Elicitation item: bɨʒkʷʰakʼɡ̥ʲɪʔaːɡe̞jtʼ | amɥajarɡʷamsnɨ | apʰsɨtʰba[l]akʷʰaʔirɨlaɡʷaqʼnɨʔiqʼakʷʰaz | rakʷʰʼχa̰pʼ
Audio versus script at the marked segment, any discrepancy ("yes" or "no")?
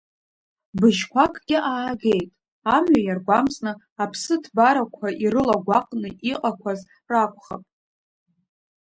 yes